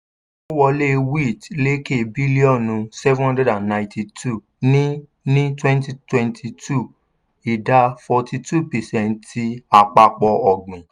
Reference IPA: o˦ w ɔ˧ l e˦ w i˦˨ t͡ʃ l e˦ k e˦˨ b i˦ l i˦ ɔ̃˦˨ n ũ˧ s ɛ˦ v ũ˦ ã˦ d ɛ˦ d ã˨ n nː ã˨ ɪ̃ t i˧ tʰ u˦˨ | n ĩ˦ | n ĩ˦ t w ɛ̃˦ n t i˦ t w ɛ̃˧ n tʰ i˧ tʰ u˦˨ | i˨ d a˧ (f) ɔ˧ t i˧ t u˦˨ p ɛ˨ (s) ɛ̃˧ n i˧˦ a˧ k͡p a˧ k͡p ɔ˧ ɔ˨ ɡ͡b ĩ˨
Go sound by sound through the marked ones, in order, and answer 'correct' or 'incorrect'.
correct, correct

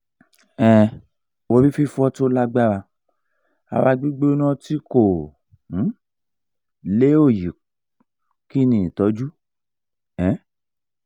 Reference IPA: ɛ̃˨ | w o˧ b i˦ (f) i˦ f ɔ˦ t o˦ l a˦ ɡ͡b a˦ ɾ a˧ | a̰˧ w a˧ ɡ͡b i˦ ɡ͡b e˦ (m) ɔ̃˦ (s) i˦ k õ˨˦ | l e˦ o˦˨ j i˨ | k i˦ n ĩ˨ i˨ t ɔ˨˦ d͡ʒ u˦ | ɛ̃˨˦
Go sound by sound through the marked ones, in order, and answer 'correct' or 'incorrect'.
correct, incorrect: n, incorrect: t

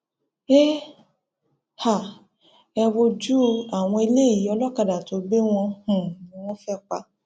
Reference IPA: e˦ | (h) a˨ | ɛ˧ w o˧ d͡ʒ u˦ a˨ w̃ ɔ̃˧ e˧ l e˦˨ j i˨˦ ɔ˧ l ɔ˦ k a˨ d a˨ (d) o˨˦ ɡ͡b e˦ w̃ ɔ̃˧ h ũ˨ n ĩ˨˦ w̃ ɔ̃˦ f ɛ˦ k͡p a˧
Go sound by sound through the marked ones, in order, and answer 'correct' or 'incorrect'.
correct, incorrect: t

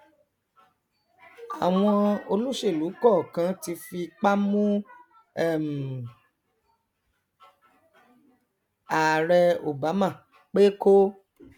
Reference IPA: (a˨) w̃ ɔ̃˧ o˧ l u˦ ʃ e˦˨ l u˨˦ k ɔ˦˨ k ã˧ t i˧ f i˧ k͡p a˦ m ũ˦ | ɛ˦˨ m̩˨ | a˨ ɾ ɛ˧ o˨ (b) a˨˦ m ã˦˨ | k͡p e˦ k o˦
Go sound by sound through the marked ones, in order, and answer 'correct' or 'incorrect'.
correct, correct

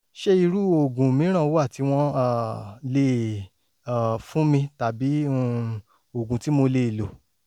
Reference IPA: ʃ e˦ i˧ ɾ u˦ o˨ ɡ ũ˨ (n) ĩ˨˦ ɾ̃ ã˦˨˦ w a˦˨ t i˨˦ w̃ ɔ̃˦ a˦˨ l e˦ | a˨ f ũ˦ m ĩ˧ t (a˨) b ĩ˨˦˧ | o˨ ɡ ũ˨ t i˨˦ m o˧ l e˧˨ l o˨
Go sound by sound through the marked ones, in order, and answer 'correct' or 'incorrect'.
incorrect: m, correct

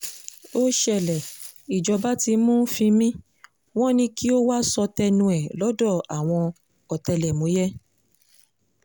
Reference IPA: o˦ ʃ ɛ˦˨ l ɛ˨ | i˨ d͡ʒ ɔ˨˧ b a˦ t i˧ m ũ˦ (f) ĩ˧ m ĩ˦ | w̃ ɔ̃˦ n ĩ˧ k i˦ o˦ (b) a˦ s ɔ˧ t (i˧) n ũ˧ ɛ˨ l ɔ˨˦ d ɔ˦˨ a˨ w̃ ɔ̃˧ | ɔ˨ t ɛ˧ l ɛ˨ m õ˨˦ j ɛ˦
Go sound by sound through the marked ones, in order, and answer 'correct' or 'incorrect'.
correct, incorrect: w, incorrect: ɛ˧

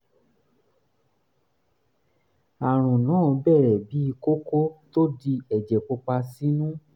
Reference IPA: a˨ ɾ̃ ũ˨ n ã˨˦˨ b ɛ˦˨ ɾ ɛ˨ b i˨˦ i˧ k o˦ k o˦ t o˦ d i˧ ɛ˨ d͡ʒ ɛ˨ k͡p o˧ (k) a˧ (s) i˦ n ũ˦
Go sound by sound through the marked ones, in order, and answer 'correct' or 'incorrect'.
incorrect: k͡p, correct

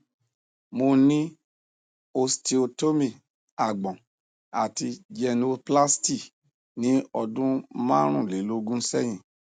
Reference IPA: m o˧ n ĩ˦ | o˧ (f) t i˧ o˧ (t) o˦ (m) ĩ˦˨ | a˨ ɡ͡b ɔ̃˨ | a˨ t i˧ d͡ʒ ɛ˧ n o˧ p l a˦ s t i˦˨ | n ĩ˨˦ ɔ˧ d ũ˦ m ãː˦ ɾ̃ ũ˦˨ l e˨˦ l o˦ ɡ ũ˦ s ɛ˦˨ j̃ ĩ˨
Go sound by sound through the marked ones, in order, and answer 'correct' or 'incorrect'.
incorrect: s, correct, correct

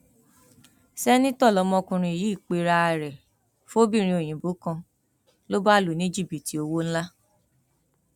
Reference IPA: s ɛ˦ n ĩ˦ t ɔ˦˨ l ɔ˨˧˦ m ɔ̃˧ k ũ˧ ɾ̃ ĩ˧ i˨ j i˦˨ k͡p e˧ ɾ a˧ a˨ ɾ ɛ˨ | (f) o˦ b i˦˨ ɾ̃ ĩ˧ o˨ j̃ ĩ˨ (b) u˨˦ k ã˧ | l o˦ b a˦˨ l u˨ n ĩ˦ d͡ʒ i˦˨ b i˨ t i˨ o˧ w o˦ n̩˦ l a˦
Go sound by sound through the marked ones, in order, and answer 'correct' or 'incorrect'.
correct, correct

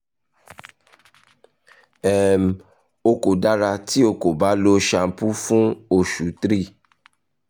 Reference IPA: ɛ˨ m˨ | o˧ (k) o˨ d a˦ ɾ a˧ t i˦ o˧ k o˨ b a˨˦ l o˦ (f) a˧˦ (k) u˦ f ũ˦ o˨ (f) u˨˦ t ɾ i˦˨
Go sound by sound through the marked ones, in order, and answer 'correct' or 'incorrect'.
correct, incorrect: ʃ, incorrect: p, incorrect: ʃ

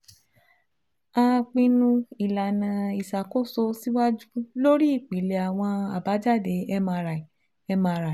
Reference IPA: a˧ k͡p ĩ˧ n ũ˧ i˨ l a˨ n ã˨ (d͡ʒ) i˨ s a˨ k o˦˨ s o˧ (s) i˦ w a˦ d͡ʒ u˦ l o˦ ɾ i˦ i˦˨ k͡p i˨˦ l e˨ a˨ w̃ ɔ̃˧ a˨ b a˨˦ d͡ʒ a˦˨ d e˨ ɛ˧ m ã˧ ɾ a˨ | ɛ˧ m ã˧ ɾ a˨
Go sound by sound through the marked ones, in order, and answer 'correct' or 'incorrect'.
incorrect: none, correct

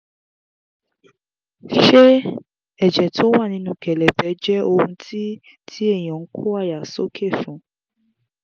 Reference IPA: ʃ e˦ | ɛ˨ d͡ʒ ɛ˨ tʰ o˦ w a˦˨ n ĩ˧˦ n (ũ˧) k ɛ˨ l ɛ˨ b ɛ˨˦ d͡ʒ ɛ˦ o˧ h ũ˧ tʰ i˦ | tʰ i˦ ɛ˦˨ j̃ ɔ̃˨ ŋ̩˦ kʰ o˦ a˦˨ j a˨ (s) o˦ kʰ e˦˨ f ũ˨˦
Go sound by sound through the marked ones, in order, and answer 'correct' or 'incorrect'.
correct, correct

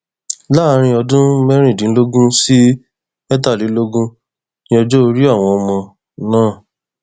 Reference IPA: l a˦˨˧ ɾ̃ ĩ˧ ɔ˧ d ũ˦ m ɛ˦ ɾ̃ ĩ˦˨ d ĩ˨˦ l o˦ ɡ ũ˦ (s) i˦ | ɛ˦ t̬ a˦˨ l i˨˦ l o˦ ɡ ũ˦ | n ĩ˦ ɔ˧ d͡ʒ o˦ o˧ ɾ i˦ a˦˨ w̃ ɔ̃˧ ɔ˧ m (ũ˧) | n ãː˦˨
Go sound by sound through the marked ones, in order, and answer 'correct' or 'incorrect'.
correct, incorrect: ɔ̃˧

